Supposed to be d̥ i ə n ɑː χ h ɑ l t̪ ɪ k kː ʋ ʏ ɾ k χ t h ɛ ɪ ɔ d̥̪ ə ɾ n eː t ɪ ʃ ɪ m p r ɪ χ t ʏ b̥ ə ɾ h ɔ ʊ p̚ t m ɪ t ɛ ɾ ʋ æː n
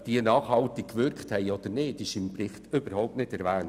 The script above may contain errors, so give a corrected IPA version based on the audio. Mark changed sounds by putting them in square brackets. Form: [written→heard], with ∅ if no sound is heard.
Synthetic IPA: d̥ i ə n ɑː χ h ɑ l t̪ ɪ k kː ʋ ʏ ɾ k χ t h ɛ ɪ ɔ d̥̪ ə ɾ n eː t ɪ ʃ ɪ m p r ɪ χ t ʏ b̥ ə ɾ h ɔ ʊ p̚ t [m→n] ɪ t ɛ ɾ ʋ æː n